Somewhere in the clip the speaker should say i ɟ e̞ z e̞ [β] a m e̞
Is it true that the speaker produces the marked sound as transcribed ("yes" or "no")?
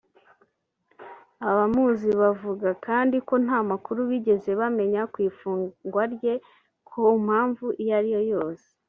yes